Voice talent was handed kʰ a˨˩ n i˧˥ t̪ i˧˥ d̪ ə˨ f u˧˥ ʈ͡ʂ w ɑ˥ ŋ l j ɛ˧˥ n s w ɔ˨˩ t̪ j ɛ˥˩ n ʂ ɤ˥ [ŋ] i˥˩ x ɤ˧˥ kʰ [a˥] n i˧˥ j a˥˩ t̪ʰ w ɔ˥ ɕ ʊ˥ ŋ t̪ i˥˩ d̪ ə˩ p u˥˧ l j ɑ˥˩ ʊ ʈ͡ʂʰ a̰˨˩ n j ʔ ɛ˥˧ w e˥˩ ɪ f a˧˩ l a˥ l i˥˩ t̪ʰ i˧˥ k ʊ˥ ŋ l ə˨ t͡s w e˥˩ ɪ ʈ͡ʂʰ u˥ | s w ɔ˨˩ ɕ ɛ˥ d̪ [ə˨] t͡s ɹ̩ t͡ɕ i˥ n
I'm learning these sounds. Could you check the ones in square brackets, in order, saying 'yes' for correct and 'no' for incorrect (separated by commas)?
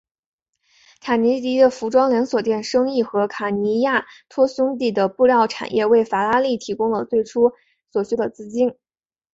yes, no, yes